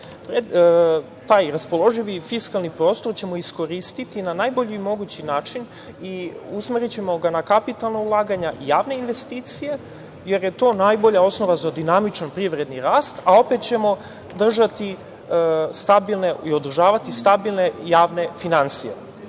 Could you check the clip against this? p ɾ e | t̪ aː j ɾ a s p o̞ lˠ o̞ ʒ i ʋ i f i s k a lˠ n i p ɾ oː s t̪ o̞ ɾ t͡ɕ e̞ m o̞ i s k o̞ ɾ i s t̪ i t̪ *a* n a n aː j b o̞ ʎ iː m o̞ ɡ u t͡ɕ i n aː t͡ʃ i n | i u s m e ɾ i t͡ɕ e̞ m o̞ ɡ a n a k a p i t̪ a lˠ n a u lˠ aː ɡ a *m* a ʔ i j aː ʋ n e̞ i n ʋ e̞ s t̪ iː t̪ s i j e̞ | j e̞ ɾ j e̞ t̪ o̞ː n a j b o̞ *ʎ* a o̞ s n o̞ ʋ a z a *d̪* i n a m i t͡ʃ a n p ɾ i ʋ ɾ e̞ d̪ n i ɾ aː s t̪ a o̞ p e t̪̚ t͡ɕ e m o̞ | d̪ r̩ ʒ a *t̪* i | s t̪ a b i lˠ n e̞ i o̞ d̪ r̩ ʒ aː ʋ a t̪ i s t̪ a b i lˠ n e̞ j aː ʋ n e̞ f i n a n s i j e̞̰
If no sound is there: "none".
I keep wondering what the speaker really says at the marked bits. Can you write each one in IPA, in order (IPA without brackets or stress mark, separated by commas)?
i, ɲ, ʎ, d̪, t̪